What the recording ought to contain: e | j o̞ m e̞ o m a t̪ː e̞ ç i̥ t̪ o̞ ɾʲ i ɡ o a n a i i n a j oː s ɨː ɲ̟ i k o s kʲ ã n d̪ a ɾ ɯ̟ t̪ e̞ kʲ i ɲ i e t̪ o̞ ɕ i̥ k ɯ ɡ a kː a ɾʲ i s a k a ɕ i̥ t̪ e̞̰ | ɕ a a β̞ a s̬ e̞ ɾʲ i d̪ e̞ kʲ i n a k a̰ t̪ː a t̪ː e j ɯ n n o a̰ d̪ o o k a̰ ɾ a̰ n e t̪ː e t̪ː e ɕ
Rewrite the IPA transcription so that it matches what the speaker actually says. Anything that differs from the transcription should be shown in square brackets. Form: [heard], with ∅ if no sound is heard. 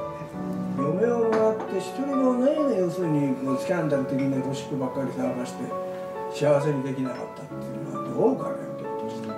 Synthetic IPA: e | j o̞ m e̞ o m a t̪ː e̞ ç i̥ t̪ o̞ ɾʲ i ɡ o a n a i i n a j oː s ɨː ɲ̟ i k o s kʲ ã n d̪ a ɾ ɯ̟ t̪ e̞ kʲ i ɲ i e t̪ o̞ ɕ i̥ k ɯ [b] a kː a ɾʲ i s a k a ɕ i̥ t̪ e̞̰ | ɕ [i] a β̞ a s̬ e̞ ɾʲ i d̪ e̞ kʲ i n a k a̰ t̪ː a t̪ː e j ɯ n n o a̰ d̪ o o k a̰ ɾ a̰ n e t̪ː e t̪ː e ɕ